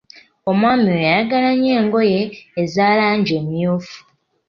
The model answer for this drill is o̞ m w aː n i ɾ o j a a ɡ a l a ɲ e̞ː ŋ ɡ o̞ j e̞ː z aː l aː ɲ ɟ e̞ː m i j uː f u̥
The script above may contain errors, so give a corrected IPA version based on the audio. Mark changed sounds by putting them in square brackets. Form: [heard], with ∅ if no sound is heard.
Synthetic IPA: o̞ m w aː [m] i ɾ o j a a ɡ a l a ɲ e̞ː ŋ ɡ o̞ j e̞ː z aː l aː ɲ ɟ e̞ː m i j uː f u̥